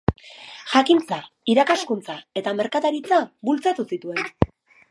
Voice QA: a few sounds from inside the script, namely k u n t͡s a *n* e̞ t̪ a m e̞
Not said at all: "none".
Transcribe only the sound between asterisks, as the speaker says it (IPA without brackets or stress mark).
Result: none